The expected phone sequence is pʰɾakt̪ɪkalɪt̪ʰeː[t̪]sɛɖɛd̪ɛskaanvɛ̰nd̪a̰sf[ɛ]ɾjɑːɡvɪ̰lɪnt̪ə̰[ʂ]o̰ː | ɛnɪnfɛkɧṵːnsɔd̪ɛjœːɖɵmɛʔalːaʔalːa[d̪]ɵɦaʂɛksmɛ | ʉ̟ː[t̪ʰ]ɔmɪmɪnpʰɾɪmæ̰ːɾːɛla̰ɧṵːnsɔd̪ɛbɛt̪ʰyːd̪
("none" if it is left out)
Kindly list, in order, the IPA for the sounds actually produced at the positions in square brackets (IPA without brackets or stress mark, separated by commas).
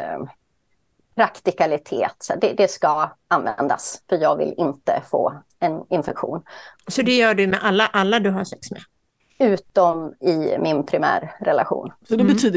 t̪, œ, f, d̪, t̪